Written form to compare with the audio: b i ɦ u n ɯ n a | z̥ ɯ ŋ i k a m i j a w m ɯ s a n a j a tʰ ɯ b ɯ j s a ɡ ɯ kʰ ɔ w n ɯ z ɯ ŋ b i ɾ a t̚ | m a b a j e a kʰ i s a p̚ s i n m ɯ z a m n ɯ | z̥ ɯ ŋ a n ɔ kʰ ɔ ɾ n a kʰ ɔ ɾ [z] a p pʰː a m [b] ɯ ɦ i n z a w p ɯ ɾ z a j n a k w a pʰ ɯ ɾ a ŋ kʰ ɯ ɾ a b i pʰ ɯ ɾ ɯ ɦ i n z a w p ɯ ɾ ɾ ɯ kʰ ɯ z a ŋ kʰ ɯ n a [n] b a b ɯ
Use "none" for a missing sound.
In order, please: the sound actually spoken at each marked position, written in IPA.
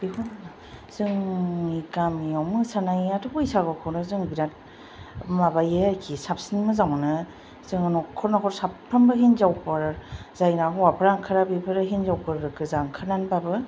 s, b, n

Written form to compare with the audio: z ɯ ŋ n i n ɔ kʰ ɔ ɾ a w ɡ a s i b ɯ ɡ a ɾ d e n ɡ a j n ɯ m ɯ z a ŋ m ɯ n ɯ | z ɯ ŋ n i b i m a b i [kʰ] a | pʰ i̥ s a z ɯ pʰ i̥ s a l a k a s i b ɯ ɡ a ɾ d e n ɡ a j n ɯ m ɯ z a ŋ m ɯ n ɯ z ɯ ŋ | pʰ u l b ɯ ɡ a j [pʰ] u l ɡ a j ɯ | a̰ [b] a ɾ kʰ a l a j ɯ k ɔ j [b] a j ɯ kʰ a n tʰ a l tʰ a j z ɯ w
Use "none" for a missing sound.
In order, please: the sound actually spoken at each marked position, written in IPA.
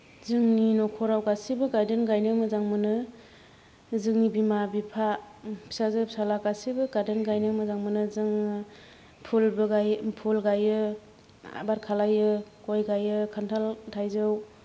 pʰ, pʰ, b, ɡ

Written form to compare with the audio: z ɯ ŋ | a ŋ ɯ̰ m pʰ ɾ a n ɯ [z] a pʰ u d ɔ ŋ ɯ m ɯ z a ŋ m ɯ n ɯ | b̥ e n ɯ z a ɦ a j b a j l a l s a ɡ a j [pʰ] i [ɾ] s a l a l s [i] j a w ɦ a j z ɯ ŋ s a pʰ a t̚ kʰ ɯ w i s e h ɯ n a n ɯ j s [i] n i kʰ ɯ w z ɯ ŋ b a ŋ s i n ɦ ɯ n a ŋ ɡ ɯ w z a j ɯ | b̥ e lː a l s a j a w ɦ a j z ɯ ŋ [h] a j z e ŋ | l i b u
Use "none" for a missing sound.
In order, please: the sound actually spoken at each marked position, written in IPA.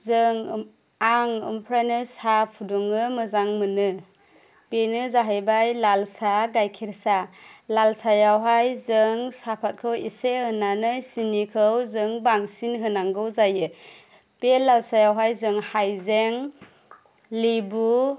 s, kʰ, ɾ, a, i, h

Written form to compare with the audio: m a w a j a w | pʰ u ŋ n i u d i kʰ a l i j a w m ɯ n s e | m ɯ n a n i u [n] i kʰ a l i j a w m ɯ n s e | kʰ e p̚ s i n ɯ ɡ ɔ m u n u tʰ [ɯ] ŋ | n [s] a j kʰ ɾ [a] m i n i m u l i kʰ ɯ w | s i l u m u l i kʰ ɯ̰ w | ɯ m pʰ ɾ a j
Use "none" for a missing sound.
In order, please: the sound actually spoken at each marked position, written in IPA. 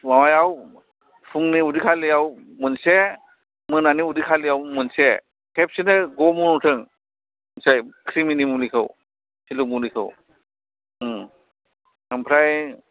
d, ɯ, s, i

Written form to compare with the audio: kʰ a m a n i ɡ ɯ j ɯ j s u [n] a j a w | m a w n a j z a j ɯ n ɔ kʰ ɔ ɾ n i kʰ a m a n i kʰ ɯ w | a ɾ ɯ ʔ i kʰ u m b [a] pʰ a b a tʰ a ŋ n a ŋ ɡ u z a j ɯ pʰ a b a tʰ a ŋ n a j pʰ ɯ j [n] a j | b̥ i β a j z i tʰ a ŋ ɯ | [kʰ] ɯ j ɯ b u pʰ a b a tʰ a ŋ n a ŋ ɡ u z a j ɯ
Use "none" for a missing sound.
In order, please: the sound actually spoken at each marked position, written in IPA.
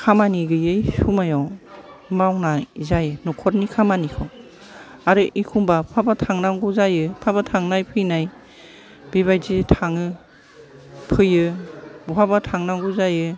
m, a, n, pʰ

